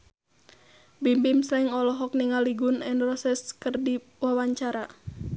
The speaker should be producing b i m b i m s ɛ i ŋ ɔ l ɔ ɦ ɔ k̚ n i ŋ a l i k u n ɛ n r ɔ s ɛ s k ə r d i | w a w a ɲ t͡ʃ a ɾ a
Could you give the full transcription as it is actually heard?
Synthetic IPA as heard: b i m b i m s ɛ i ŋ ɔ l ɔ ɦ ɔ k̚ n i ŋ a l i ɡ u n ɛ n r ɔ s ɛ s k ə r d i | w a w a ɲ t͡ʃ a ɾ a